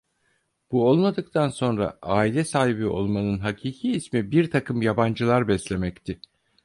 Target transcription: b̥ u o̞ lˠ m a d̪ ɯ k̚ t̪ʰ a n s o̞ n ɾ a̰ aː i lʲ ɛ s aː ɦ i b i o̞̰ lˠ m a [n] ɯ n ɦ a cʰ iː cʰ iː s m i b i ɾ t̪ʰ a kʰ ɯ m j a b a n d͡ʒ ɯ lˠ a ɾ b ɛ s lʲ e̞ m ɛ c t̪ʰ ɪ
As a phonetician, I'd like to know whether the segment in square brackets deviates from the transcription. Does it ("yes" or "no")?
no